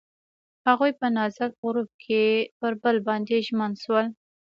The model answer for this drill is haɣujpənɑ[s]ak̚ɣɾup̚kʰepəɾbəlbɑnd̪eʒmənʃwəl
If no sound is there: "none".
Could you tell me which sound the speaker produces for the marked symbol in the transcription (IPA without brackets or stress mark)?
z